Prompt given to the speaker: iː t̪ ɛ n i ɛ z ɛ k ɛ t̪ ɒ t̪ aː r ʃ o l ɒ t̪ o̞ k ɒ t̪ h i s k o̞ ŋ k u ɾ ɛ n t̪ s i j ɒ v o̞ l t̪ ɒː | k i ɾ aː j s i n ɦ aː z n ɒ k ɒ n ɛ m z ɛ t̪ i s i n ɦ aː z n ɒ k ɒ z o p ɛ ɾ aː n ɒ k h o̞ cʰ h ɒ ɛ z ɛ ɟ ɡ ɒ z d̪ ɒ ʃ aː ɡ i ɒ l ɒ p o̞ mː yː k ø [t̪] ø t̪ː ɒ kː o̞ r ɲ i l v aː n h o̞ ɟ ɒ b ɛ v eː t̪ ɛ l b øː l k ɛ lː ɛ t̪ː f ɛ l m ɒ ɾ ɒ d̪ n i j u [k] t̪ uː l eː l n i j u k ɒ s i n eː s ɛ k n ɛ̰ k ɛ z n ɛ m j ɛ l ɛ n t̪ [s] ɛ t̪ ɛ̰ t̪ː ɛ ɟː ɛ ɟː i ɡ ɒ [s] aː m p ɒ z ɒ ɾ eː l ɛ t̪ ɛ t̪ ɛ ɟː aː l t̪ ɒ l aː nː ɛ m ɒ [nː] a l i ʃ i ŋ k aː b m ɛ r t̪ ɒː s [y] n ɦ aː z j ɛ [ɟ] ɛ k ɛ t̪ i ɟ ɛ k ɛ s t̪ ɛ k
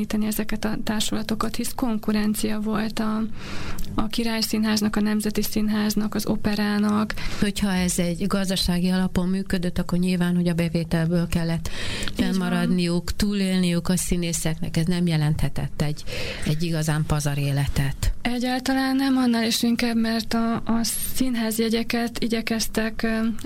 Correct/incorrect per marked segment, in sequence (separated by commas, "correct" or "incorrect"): incorrect, correct, incorrect, incorrect, correct, incorrect, correct